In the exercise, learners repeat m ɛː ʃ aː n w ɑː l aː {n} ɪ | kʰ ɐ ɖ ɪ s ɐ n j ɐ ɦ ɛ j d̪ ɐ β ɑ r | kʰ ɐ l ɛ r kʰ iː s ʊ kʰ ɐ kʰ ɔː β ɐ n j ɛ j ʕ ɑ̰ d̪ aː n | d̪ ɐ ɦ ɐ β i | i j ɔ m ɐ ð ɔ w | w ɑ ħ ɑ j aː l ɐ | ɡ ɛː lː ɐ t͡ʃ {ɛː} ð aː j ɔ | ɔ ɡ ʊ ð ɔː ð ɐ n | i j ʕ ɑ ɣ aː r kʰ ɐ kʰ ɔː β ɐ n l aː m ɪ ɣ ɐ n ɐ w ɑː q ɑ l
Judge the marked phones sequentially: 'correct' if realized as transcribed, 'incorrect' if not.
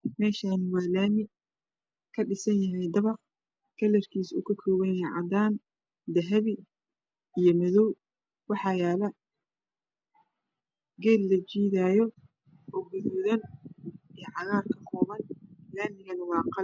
incorrect: m, incorrect: iː

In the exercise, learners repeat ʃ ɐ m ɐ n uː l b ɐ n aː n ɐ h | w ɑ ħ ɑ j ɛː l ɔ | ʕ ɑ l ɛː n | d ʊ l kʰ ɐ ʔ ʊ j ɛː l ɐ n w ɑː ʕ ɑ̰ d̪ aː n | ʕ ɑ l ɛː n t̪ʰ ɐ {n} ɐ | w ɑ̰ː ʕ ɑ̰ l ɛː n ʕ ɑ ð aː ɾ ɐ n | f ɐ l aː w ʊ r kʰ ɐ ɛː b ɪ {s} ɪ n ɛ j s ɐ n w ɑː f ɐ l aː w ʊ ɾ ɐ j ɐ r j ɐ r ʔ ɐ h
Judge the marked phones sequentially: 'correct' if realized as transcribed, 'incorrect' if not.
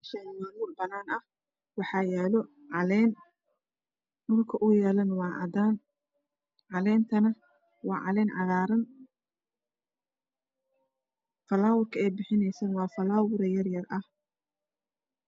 correct, incorrect: ħ

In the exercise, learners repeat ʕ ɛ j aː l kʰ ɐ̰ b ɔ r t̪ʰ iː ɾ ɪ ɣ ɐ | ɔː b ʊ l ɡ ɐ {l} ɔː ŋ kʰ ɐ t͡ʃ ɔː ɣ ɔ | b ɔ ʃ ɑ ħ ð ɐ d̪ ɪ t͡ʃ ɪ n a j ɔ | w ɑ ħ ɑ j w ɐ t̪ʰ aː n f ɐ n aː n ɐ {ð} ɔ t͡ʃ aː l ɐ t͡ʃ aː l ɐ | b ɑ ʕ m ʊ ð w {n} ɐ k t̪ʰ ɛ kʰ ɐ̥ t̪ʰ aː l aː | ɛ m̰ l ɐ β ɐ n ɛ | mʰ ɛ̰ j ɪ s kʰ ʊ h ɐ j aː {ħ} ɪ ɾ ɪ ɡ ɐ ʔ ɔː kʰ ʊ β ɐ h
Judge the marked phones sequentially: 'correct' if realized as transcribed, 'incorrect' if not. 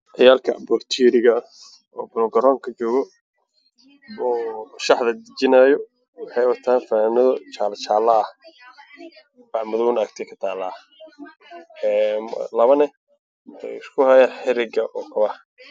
incorrect: ɾ, correct, correct, correct

